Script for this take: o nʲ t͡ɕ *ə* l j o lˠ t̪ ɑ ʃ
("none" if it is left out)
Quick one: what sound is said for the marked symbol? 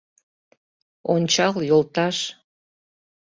ɑ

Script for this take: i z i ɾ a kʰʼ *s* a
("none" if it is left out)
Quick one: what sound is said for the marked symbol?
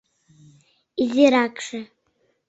ʂ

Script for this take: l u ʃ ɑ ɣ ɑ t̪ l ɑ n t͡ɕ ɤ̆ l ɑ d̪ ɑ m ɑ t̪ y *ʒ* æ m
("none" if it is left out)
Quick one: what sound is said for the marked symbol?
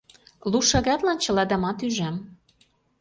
ʒ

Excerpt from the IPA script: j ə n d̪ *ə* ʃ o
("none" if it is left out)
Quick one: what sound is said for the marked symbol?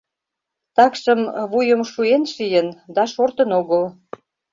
ɑ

